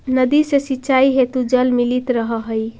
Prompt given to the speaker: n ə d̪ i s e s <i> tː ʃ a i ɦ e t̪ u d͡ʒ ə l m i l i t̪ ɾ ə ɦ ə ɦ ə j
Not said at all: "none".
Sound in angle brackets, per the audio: i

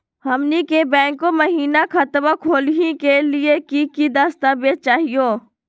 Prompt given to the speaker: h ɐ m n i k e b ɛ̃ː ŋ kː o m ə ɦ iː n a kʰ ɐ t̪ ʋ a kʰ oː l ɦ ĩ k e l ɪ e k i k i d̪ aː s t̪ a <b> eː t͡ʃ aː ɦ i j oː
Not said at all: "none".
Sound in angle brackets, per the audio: b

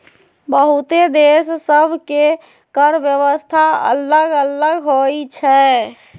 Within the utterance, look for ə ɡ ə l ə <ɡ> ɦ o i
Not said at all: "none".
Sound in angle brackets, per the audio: ɡ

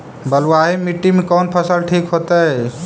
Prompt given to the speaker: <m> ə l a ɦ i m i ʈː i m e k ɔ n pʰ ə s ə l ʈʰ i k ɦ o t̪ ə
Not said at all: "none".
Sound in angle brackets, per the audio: b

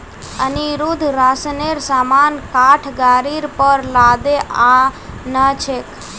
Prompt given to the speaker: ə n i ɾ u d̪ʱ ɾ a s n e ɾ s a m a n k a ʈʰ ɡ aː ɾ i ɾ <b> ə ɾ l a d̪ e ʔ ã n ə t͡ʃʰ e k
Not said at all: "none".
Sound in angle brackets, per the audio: p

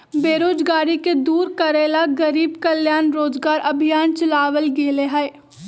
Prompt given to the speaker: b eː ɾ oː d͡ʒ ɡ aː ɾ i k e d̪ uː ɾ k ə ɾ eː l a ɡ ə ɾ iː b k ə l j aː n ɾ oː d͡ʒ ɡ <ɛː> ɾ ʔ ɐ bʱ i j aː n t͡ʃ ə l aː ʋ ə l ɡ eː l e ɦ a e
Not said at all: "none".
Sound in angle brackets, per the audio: aː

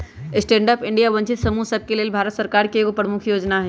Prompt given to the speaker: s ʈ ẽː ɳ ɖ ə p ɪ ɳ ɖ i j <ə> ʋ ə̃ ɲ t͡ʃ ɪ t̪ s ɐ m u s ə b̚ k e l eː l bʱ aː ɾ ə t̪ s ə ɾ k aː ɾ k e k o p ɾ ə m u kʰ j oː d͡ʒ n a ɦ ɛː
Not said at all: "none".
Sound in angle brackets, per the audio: a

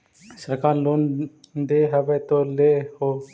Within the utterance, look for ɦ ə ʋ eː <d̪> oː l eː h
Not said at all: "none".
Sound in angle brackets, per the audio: t̪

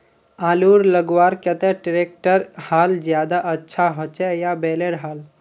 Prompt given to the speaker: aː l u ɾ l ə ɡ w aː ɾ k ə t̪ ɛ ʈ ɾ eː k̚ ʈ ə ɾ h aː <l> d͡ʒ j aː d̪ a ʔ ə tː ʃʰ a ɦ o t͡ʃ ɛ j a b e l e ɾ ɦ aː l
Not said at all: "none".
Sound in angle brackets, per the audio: l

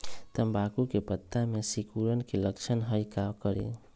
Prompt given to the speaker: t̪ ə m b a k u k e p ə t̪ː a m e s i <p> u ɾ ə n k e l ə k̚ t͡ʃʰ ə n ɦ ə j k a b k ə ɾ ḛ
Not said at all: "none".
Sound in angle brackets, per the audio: k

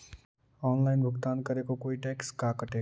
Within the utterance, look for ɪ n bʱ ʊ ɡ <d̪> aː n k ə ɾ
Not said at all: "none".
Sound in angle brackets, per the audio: t̪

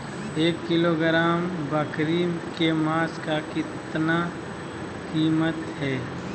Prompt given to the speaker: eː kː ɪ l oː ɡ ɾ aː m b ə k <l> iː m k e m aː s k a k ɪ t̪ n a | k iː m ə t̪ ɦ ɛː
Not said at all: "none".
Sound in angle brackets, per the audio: ɾ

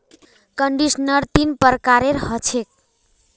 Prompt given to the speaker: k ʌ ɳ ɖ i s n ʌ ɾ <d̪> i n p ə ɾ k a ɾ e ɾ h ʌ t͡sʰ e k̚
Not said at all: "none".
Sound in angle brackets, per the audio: t̪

